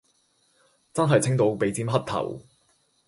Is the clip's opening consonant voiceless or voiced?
voiceless